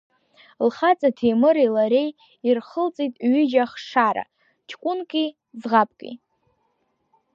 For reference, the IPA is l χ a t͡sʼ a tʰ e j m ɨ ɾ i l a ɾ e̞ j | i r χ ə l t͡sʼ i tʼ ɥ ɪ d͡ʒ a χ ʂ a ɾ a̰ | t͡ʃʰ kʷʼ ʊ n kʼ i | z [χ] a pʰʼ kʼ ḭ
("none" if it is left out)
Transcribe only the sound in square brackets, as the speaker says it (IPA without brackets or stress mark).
ʁ